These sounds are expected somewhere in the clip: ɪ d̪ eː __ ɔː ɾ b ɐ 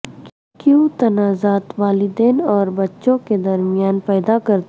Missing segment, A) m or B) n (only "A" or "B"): B